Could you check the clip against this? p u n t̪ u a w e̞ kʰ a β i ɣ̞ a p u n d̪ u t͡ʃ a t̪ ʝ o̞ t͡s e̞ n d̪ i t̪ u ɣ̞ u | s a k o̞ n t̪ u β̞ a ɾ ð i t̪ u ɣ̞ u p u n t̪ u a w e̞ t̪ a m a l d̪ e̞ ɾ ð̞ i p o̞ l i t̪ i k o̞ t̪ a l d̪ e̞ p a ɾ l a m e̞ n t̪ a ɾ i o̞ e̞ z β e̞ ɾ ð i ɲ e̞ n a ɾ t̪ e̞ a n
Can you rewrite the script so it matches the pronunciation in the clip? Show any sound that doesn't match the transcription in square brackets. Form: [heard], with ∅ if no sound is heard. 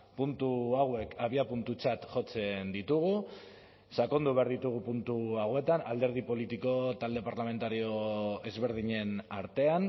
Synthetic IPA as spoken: p u n t̪ u a w e̞ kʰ a β i [∅] a p u n [t̪] u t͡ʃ a t̪ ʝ o̞ t͡s e̞ n d̪ i t̪ u ɣ̞ u | s a k o̞ n [d̪] u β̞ a ɾ ð i t̪ u ɣ̞ u p u n t̪ u a w e̞ t̪ a [n] a l d̪ e̞ ɾ ð̞ i p o̞ l i t̪ i k o̞ t̪ a l d̪ e̞ p a ɾ l a m e̞ n t̪ a ɾ i o̞ e̞ z β e̞ ɾ ð i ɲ e̞ n a ɾ t̪ e̞ a n

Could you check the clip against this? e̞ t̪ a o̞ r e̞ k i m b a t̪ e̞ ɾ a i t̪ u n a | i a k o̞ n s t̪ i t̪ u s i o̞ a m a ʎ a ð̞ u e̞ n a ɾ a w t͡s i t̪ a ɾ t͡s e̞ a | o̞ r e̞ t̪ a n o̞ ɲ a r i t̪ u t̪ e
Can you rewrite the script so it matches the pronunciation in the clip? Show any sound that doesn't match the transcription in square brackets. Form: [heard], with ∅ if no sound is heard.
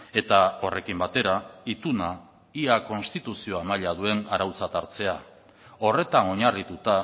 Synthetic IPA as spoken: e̞ t̪ a o̞ r e̞ k i m b a t̪ e̞ ɾ a i t̪ u n a | i a k o̞ n s t̪ i t̪ u s i o̞ a m a ʎ a ð̞ u e̞ n a ɾ a w t͡s [a] t̪ a ɾ t͡s e̞ a | o̞ r e̞ t̪ a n o̞ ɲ a r i t̪ u t̪ [a]

